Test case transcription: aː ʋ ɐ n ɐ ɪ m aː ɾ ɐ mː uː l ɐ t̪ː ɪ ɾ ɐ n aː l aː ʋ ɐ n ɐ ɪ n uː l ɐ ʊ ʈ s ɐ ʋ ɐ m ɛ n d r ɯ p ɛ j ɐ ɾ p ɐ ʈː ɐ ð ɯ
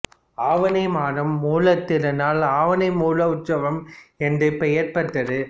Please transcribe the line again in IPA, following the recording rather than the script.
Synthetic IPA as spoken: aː ʋ ɐ n ɐ ɪ m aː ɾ ɐ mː uː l ɐ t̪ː ɪ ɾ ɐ n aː l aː ʋ ɐ n ɐ ɪ m uː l ɐ ʊ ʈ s ɐ ʋ ɐ m ɛ n d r ɯ p ɛ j ɐ ɾ p ɐ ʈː ɐ ð ɯ